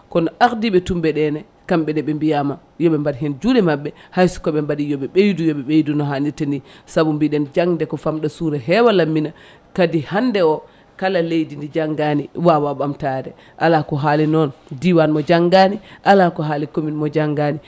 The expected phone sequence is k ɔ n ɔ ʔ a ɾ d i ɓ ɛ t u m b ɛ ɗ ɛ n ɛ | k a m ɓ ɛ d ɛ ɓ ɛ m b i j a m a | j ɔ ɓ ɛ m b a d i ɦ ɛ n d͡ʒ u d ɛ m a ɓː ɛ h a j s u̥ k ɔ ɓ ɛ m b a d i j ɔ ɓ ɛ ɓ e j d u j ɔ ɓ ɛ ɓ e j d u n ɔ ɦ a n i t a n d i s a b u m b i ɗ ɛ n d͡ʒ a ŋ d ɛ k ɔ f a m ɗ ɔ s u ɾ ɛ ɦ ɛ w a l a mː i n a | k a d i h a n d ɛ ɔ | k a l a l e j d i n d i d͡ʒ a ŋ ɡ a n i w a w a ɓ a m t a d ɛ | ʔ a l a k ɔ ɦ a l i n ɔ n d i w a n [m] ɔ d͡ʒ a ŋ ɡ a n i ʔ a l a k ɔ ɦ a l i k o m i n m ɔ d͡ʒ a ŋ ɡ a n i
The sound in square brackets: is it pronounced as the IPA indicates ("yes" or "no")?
yes